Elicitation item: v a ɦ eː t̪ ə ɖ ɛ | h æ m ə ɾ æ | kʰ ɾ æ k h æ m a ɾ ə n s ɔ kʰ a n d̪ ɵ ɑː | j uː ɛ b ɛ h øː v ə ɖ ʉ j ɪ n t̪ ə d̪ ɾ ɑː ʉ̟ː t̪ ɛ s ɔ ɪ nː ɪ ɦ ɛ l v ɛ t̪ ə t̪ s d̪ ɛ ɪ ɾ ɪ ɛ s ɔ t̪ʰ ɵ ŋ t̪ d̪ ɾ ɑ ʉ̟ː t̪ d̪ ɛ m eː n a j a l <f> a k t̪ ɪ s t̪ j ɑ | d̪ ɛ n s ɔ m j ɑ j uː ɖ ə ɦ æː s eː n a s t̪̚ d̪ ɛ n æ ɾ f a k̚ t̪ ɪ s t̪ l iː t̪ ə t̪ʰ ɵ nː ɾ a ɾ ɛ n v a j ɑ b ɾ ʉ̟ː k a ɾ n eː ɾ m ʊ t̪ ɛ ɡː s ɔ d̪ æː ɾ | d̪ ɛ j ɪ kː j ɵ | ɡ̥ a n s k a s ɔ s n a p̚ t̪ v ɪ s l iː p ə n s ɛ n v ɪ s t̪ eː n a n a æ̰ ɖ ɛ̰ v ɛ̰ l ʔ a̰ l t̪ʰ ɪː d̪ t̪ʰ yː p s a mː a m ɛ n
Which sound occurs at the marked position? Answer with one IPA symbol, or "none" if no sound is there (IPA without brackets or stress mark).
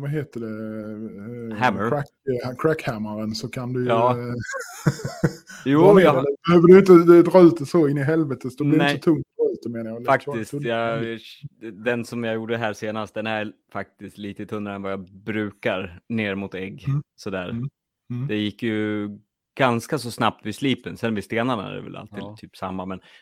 f